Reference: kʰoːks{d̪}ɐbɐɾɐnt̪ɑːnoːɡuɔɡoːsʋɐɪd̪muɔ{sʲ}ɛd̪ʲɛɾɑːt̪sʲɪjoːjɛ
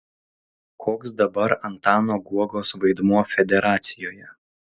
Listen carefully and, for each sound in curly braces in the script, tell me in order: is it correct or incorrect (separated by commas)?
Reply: correct, incorrect